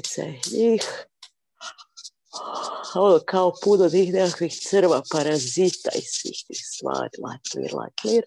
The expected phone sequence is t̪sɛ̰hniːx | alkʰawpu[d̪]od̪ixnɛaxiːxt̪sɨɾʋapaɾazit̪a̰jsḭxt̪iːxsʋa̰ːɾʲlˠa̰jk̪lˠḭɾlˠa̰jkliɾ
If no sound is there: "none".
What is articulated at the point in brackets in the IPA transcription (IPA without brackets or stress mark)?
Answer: d̪